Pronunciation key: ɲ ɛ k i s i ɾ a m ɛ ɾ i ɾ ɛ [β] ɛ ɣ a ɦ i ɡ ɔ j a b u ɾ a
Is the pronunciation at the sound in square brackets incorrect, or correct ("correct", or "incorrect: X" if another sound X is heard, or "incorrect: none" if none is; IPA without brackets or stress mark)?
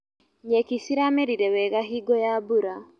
incorrect: w